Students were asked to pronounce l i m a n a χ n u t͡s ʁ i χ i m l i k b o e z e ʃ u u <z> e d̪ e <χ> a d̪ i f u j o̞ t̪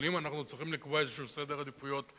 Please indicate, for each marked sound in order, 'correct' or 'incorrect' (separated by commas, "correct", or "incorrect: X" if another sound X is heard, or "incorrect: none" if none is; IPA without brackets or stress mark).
incorrect: s, incorrect: ʁ